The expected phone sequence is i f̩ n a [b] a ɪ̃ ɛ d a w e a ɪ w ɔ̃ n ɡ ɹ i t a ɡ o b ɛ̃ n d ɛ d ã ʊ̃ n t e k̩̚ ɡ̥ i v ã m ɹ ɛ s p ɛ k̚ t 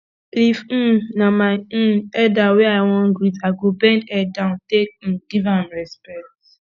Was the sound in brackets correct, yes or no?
no